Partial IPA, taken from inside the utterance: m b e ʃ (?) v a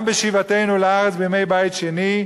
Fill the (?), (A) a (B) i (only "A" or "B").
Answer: B